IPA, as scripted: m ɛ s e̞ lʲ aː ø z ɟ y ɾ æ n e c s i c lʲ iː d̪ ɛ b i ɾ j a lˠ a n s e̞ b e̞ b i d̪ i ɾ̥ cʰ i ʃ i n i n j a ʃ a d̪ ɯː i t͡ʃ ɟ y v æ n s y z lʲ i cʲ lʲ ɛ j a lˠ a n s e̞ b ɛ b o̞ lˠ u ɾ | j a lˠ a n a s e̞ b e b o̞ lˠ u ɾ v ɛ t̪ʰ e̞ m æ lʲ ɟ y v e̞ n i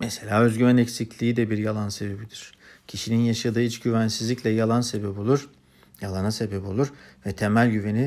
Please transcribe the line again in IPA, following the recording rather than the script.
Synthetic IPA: m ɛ s e̞ lʲ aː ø z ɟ y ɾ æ n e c s i c lʲ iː d̪ ɛ b i ɾ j a lˠ a n s e̞ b e̞ b i d̪ i ɾ̥ cʰ i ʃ i n i n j a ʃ a d̪ ɯː i t͡ʃ ɟ y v æ n s i z lʲ i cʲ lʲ ɛ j a lˠ a n s e̞ b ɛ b o̞ lˠ u ɾ | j a lˠ a n a s e̞ b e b o̞ lˠ u ɾ v ɛ t̪ʰ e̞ m æ lʲ ɟ y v e̞ n i